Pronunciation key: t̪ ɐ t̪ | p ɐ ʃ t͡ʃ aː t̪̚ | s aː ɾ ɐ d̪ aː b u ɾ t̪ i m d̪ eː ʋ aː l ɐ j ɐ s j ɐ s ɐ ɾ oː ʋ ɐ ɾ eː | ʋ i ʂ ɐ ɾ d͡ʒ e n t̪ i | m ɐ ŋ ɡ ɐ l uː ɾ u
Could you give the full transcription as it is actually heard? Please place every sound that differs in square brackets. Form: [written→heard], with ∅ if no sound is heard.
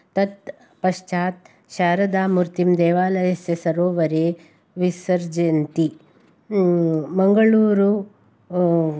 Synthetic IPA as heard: t̪ ɐ t̪ | p ɐ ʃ t͡ʃ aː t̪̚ | [s→ʃ] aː ɾ ɐ d̪ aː [b→m] u ɾ t̪ i m d̪ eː ʋ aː l ɐ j ɐ s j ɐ s ɐ ɾ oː ʋ ɐ ɾ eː | ʋ i [ʂ→s] ɐ ɾ d͡ʒ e n t̪ i | m ɐ ŋ ɡ ɐ [l→ɭ] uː ɾ u